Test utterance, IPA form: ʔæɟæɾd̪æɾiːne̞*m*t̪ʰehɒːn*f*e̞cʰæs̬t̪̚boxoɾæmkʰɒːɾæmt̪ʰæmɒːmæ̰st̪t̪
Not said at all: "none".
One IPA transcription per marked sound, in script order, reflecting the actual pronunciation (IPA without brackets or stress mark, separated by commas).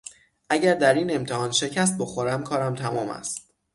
m, ʃ